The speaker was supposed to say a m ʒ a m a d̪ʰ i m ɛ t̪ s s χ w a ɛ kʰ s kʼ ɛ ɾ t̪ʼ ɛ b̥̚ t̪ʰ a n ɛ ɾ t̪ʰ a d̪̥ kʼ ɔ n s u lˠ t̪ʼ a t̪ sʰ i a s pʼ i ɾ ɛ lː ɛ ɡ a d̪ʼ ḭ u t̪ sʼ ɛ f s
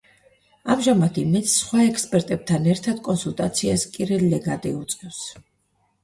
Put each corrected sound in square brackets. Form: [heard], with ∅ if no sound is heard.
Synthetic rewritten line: a m ʒ a m a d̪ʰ i m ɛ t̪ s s χ w a ɛ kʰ s [pʼ] ɛ ɾ t̪ʼ ɛ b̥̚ t̪ʰ a n ɛ ɾ t̪ʰ a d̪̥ kʼ ɔ n s u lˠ t̪ʼ a t̪ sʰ i a s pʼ i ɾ ɛ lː ɛ ɡ a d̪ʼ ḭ u t̪ sʼ ɛ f s